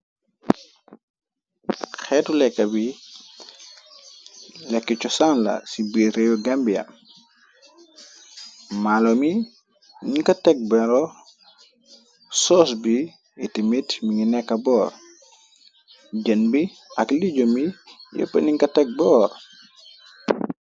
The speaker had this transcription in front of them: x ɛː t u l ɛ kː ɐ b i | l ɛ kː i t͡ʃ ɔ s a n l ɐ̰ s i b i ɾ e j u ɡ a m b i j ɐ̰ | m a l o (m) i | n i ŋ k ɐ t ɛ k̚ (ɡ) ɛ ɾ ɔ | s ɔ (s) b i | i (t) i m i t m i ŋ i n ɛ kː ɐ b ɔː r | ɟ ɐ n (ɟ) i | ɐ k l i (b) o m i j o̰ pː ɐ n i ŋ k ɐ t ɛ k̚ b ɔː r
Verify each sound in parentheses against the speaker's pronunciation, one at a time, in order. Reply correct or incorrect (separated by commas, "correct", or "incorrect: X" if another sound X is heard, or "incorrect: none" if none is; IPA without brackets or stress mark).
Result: correct, incorrect: b, correct, correct, incorrect: b, incorrect: ɟ